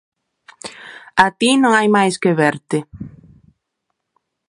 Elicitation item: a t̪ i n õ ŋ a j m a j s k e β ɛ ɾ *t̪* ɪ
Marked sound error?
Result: no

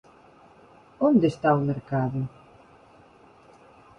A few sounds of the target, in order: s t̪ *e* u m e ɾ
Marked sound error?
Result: yes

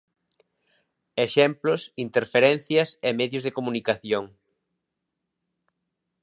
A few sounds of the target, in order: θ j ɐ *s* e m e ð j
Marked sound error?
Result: no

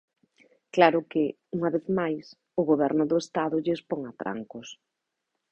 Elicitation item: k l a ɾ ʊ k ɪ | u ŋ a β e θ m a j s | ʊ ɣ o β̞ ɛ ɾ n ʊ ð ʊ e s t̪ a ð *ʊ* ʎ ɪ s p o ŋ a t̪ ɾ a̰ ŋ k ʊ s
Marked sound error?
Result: no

